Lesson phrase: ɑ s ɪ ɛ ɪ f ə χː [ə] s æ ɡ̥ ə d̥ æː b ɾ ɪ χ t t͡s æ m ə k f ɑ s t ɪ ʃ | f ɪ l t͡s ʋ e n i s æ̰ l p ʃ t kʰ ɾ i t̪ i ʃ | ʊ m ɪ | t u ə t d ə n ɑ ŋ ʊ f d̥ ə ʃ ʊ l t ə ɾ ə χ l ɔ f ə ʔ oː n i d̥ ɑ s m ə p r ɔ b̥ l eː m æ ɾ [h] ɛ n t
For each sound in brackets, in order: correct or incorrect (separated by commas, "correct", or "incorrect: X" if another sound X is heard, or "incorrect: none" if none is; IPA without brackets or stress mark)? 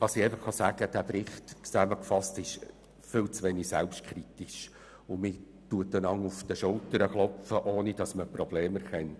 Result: incorrect: ɑ, incorrect: χ